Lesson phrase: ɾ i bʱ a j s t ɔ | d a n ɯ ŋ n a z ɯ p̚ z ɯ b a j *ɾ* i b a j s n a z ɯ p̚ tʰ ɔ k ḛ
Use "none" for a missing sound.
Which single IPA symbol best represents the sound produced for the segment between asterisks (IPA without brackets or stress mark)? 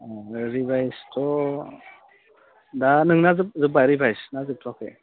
ɾ